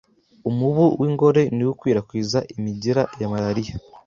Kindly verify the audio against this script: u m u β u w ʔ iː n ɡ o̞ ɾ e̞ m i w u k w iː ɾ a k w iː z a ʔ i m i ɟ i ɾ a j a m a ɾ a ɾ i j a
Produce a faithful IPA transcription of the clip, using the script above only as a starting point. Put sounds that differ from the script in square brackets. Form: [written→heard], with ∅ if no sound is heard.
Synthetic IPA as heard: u m u β u w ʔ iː [n→ŋ] ɡ o̞ ɾ e̞ [m→n] i w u k w iː ɾ a k w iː z a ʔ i m i ɟ i ɾ a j a m a ɾ a ɾ i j a